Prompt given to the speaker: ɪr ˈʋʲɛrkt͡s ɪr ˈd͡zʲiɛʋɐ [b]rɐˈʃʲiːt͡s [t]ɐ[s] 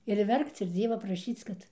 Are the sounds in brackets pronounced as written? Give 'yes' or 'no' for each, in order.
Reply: no, no, no

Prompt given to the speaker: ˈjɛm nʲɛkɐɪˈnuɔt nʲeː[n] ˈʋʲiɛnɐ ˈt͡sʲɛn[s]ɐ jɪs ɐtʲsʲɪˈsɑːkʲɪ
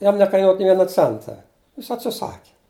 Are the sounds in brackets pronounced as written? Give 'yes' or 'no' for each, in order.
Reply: no, no

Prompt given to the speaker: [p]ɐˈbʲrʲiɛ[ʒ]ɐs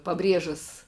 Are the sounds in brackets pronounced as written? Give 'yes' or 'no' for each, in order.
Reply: yes, yes

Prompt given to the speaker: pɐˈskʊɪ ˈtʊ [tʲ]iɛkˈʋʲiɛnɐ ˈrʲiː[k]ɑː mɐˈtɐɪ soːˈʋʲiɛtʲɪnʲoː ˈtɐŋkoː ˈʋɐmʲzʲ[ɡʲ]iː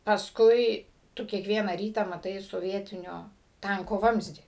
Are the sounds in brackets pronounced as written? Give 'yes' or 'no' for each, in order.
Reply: no, no, no

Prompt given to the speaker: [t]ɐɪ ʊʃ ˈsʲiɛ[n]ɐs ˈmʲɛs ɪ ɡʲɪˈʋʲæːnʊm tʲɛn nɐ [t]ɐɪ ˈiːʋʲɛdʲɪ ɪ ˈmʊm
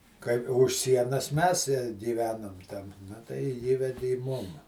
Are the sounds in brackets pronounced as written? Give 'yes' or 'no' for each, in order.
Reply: no, yes, yes

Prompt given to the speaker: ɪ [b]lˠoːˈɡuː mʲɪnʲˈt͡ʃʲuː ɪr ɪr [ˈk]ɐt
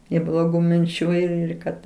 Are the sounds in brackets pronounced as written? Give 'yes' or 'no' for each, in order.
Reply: yes, yes

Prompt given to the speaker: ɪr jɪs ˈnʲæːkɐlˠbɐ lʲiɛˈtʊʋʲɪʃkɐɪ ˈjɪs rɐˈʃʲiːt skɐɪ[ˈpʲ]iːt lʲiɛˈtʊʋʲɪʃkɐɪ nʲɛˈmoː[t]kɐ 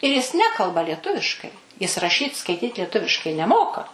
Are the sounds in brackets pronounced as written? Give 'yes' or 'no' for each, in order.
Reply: no, no

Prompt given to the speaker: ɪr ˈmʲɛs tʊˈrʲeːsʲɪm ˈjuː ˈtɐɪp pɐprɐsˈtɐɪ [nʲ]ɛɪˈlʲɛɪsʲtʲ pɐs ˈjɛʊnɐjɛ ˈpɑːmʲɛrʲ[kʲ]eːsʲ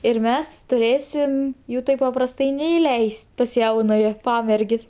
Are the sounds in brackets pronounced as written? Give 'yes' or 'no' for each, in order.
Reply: yes, no

